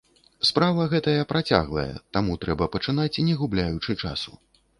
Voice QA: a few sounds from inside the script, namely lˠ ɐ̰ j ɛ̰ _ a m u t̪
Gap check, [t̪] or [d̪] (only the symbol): t̪